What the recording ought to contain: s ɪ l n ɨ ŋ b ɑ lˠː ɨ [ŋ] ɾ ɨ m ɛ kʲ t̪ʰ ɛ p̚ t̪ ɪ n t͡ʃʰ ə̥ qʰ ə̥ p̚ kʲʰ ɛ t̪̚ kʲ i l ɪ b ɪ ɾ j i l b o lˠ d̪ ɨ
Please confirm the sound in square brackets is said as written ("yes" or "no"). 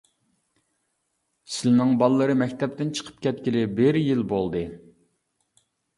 no